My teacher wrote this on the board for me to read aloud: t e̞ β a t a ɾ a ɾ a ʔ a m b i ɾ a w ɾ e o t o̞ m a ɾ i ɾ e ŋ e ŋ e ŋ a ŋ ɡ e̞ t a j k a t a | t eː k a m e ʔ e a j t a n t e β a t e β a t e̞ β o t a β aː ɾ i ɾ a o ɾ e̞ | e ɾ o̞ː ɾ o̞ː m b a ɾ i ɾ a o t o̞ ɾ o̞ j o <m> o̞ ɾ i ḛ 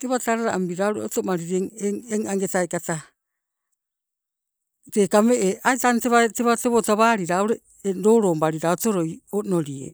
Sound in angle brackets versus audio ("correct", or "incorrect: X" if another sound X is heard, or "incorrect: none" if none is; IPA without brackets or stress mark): incorrect: n